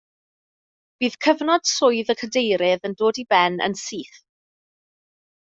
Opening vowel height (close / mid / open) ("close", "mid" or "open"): close